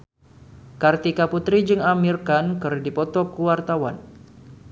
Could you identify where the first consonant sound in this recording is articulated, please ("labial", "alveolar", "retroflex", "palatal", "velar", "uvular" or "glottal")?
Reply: velar